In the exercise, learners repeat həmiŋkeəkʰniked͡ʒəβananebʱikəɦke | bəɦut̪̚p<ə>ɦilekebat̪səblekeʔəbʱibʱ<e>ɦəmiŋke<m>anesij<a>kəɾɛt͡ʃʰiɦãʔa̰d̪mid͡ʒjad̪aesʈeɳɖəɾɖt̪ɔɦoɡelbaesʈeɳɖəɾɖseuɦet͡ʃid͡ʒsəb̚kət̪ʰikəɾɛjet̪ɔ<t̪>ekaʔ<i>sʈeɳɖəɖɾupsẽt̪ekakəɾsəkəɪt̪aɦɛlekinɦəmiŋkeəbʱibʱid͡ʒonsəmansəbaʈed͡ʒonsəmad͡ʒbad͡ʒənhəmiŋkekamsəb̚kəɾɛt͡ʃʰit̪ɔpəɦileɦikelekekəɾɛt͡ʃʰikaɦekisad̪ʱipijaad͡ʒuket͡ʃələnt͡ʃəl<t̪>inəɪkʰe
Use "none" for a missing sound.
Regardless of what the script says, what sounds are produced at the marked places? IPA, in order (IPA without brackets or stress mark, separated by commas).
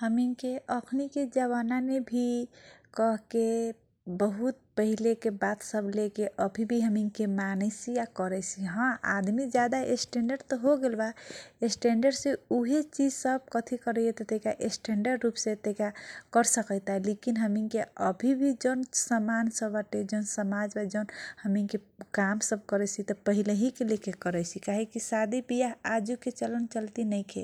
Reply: ə, i, m, a, t̪, e, t̪